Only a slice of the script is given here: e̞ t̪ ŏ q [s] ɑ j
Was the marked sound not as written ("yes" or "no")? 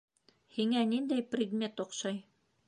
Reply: yes